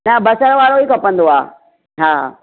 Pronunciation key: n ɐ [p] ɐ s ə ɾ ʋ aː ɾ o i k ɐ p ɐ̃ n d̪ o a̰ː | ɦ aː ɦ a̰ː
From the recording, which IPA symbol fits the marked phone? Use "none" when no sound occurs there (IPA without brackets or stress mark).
b